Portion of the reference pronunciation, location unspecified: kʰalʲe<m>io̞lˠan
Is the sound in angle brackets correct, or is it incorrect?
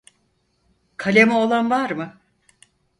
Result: correct